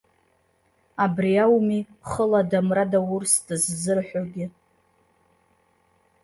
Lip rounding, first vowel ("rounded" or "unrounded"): unrounded